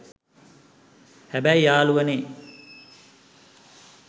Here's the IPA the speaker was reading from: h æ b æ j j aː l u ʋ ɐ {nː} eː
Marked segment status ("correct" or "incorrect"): incorrect